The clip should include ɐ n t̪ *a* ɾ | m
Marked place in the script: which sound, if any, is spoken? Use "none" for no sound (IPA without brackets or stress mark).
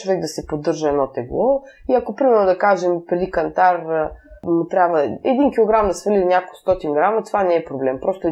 a